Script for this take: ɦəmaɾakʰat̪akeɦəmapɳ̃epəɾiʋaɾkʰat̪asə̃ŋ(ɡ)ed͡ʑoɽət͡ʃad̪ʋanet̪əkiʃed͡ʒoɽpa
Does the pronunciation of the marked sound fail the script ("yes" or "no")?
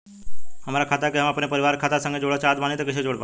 no